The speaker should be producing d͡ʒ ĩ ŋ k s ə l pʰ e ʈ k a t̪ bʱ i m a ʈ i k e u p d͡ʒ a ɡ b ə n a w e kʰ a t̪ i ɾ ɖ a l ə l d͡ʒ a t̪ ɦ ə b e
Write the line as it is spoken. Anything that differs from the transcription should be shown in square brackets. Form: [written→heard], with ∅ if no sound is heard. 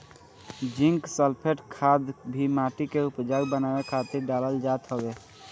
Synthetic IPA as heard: d͡ʒ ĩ ŋ k s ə l pʰ e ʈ [k→kʰ] a [t̪→d̪] bʱ i m a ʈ i k e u p d͡ʒ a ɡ b ə n a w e kʰ a t̪ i ɾ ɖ a l ə l d͡ʒ a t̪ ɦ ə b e